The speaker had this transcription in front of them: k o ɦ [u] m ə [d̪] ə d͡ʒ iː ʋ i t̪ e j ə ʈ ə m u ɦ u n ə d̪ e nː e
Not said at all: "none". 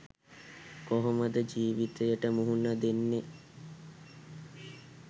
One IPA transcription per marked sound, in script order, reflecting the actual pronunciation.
o, d̪

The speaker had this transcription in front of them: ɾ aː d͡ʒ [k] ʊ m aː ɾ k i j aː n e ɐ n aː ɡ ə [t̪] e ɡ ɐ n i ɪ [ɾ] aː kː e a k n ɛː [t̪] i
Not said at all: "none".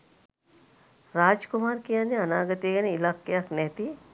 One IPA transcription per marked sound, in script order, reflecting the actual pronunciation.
k, t̪, l, t̪

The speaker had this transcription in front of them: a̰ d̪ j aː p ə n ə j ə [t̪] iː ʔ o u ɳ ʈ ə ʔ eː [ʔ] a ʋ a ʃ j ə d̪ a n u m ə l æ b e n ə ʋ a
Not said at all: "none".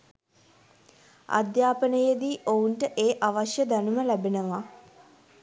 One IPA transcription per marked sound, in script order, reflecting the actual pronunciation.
d̪, ʔ

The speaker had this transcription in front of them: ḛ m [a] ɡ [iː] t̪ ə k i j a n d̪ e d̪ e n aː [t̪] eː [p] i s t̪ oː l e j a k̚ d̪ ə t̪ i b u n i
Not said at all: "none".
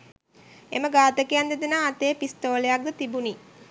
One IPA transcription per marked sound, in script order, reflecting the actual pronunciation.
ə, aː, t̪, p

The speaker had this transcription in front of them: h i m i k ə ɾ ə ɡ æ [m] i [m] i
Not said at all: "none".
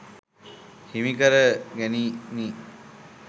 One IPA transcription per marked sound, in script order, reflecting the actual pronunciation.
n, n

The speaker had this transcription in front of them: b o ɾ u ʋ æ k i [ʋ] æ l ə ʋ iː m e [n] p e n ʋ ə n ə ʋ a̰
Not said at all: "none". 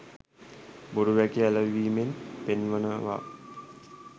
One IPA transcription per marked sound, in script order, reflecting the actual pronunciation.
none, n

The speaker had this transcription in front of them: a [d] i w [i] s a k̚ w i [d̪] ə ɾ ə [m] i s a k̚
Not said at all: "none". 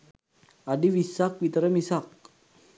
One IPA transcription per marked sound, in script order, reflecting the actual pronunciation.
d, i, t̪, m

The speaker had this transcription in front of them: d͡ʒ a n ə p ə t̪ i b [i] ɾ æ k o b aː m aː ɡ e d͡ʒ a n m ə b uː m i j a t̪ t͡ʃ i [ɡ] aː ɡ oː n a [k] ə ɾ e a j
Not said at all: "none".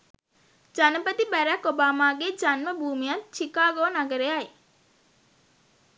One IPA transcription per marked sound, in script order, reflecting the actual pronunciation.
æ, k, ɡ

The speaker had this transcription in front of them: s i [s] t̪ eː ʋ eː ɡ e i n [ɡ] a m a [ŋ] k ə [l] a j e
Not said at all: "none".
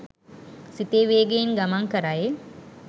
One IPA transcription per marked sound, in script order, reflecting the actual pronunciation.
none, ɡ, ŋ, ɾ

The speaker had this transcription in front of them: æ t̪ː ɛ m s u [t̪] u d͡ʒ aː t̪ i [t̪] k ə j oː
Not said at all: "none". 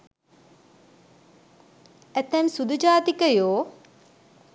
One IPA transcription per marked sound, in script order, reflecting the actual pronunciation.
d̪, none

